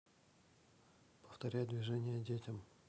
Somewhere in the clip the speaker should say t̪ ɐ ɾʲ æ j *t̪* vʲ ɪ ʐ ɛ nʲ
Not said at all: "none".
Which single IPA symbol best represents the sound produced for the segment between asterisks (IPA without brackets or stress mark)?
d̪